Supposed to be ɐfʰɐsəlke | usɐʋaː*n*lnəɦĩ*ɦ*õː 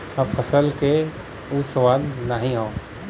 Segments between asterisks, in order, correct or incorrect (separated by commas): incorrect, correct